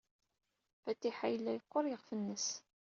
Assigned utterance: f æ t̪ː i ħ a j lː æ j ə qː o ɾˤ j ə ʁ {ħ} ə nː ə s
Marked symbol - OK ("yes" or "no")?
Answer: no